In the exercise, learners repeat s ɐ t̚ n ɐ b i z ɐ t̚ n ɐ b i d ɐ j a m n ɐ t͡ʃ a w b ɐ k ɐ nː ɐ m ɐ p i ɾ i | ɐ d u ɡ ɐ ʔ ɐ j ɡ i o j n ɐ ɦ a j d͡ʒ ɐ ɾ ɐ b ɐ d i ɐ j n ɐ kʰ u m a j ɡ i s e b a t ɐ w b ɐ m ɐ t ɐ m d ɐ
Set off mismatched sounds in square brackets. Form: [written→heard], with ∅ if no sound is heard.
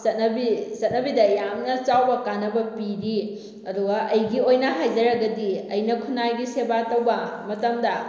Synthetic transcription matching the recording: s ɐ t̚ n ɐ b i [z→s] ɐ t̚ n ɐ b i d ɐ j a m n ɐ t͡ʃ a w b ɐ k [ɐ→a] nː ɐ [m→b] ɐ p i ɾ i | ɐ d u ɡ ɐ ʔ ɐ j ɡ i o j n ɐ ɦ a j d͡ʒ ɐ ɾ ɐ [b→ɡ] ɐ d i ɐ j n ɐ kʰ u [m→n] a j ɡ i s e b a t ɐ w b ɐ m ɐ t ɐ m d ɐ